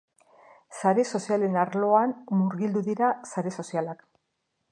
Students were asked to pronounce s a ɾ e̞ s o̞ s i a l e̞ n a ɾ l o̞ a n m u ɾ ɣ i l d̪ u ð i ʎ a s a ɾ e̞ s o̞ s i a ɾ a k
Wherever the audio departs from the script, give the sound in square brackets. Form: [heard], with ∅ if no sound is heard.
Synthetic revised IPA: s a ɾ e̞ s o̞ s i a l e̞ n a ɾ l o̞ a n m u ɾ ɣ i l d̪ u ð i [ɾ] a s a ɾ e̞ s o̞ s i a [l] a k